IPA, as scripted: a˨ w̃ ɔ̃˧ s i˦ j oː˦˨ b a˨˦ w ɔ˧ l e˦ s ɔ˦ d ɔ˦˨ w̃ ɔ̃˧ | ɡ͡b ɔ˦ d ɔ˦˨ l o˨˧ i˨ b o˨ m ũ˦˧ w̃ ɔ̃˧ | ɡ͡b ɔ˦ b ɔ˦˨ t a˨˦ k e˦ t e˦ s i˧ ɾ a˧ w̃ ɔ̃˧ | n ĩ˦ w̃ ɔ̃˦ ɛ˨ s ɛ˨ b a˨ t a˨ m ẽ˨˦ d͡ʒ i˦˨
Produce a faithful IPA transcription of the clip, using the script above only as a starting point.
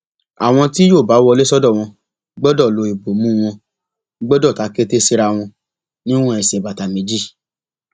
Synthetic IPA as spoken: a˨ w̃ ɔ̃˧ t i˦ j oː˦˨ b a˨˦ w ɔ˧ l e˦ s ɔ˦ d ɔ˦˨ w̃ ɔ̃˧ | ɡ͡b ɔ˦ d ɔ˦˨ l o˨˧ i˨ b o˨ m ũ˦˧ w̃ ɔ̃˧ | ɡ͡b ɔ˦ d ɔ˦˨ t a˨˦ k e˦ t e˦ s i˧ ɾ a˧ w̃ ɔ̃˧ | n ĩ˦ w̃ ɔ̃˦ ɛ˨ s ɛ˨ b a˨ t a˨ m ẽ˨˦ d͡ʒ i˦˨